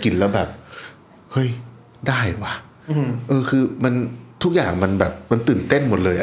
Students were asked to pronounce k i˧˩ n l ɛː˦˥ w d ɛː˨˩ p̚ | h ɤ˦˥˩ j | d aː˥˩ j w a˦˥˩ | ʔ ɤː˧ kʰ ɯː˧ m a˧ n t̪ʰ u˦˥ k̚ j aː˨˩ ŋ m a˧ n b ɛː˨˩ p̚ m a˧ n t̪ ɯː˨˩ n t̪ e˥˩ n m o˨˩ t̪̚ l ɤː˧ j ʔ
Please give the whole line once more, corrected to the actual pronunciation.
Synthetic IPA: k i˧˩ n l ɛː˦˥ w b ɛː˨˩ p̚ | h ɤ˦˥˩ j | d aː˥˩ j w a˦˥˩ | ʔ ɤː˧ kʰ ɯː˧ m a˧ n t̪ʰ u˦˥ k̚ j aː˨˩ ŋ m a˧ n b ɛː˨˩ p̚ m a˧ n t̪ ɯː˨˩ n t̪ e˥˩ n m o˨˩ t̪̚ l ɤː˧ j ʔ